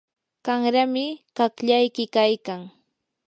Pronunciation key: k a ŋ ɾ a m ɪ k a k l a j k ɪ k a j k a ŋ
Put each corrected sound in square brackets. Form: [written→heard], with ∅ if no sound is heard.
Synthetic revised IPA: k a ŋ ɾ a m ɪ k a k [l→ʎ] a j k ɪ k a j k a ŋ